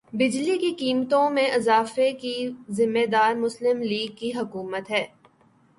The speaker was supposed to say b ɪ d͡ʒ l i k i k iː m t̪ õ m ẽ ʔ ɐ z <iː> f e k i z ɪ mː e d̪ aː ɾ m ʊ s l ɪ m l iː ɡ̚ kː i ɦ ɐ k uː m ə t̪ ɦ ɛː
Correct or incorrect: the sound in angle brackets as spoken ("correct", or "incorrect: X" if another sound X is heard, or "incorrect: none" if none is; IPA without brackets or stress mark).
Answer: incorrect: aː